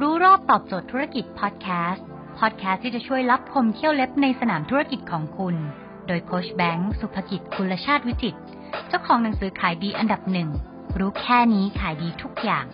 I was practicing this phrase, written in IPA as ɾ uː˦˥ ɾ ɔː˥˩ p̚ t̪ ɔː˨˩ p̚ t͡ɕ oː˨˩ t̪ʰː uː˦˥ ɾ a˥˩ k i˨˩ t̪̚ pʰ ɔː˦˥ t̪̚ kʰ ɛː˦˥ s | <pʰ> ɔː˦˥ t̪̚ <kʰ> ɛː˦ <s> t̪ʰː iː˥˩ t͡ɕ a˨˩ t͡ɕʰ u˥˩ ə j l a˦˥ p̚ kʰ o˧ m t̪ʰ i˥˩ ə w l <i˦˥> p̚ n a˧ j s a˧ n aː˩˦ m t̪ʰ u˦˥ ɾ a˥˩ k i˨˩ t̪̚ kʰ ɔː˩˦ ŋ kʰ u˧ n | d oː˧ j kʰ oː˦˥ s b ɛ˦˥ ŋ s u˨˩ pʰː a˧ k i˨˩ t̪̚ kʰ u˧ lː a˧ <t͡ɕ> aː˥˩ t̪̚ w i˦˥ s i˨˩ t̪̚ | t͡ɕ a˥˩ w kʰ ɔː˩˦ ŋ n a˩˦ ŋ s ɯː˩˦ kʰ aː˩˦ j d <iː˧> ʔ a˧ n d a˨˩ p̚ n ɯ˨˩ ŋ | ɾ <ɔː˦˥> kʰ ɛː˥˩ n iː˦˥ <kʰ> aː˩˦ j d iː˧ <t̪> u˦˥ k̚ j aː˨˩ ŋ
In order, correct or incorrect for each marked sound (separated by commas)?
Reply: correct, correct, correct, incorrect, incorrect, correct, incorrect, correct, incorrect